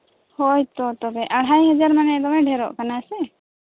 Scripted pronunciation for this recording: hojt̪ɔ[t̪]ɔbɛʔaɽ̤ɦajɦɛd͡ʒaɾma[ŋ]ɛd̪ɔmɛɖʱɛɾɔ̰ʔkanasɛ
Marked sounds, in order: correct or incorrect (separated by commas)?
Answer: correct, incorrect